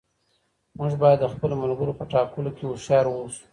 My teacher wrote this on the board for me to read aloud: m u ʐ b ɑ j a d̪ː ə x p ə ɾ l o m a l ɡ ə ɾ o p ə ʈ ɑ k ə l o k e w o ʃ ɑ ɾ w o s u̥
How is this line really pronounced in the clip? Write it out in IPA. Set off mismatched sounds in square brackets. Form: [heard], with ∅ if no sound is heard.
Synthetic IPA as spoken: m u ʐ b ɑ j a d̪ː ə x p ə [∅] l o m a l ɡ ə ɾ o p ə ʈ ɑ k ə l o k e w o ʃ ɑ ɾ w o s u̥